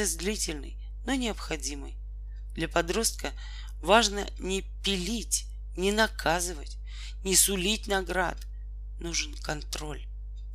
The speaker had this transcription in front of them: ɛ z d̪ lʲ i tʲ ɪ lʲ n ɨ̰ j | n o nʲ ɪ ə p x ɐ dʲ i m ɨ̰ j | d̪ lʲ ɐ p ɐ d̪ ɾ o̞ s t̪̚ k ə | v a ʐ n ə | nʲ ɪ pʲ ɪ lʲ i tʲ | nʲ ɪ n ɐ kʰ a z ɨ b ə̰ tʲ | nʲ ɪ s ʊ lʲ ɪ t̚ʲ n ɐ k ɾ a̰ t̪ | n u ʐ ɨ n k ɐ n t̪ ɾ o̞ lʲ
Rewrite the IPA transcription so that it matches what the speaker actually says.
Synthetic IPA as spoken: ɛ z d̪ lʲ i tʲ ɪ lʲ n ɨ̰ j | n o nʲ ɪ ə p x ɐ dʲ i m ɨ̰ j | d̪ lʲ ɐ p ɐ d̪ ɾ o̞ s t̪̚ k ə | v a ʐ n ə | nʲ ɪ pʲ ɪ lʲ i tʲ | nʲ ɪ n ɐ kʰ a z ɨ v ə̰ tʲ | nʲ ɪ s ʊ lʲ i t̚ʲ n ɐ ɡ ɾ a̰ t̪ | n u ʐ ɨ n k ɐ n t̪ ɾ o̞ lʲ